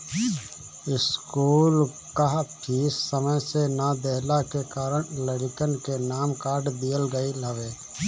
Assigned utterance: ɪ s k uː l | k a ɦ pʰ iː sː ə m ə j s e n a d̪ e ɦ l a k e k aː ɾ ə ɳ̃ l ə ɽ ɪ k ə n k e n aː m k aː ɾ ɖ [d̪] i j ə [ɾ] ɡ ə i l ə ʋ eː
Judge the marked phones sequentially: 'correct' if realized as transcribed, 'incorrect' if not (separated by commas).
correct, incorrect